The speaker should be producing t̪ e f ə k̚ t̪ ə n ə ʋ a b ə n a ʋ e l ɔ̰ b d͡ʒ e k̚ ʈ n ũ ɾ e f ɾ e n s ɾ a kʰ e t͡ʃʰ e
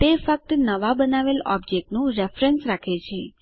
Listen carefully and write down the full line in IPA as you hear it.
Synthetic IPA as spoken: t̪ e f ə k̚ t̪ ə n ə ʋ a b ə n a ʋ e l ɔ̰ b d͡ʒ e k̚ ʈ n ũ ɾ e f ɾ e n s ɾ a kʰ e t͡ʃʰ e